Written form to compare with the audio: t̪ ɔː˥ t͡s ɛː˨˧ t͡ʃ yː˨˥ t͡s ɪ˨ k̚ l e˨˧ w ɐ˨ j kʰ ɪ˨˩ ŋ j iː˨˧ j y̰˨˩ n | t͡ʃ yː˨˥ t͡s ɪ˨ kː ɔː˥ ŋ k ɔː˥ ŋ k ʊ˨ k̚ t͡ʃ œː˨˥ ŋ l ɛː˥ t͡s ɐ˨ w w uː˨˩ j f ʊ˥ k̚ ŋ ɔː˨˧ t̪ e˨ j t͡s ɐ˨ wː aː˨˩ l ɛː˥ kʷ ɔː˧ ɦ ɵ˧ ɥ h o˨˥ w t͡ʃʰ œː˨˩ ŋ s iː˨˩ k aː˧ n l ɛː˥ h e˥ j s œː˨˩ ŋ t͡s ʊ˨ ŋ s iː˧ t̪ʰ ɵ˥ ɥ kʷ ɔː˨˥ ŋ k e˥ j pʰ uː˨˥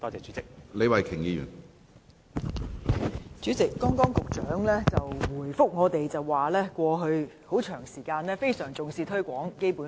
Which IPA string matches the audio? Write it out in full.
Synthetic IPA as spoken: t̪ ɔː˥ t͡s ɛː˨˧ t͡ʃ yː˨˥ t͡s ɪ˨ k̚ l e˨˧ w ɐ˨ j kʰ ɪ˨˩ ŋ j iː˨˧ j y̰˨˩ n | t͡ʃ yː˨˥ t͡s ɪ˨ kː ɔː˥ ŋ k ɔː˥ ŋ k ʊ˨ k̚ t͡ʃ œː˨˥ ŋ l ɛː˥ t͡s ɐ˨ w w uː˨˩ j f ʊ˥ k̚ ŋ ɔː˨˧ t̪ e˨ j t͡s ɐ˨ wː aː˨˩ l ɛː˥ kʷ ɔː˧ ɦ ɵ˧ ɥ h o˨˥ w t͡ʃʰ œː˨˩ ŋ s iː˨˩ k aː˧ n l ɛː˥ f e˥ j s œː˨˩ ŋ t͡s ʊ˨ ŋ s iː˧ t̪ʰ ɵ˥ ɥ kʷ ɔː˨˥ ŋ k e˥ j p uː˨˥